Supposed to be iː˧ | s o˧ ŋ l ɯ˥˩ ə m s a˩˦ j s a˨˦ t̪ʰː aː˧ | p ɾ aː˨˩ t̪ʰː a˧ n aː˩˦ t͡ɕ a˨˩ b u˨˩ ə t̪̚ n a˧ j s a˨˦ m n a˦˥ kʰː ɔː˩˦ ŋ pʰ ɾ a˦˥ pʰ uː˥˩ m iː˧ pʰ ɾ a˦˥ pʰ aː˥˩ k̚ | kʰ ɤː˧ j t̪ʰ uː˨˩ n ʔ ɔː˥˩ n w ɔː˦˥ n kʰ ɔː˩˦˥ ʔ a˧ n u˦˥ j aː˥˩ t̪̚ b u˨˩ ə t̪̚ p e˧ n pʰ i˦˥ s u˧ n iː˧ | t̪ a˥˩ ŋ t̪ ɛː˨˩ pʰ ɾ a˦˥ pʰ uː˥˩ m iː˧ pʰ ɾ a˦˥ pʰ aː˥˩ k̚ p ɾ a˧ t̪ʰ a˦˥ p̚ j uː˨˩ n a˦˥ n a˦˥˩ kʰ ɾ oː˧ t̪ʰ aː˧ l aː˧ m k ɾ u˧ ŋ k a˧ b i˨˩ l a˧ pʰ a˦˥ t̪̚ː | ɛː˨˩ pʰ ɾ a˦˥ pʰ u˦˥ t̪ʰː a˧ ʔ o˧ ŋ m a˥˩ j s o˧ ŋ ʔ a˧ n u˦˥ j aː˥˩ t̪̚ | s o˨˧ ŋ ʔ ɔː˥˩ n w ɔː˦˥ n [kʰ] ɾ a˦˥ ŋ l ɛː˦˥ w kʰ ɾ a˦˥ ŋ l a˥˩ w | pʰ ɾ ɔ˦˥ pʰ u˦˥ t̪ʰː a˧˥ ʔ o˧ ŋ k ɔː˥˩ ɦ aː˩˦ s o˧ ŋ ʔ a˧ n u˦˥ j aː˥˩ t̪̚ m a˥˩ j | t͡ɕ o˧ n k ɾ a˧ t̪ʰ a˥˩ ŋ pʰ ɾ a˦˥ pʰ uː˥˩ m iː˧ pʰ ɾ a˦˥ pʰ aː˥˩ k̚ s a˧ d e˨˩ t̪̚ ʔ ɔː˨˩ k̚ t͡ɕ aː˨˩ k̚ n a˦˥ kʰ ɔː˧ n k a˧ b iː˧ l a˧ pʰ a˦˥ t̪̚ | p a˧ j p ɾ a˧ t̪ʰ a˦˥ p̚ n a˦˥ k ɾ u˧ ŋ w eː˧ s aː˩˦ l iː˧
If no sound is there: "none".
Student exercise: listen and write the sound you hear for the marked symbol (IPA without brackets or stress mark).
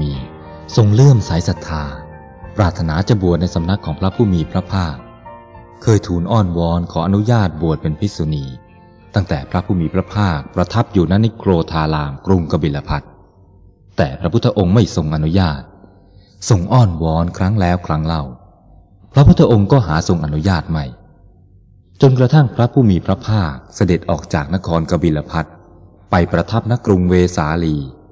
kʰ